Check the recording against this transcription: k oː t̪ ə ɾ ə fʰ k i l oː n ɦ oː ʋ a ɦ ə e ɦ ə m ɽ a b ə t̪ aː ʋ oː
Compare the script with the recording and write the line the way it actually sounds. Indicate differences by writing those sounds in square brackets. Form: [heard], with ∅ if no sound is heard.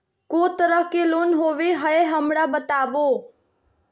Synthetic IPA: k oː t̪ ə ɾ ə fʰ k [e] l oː n ɦ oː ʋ [e] ɦ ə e ɦ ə m ɽ a b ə t̪ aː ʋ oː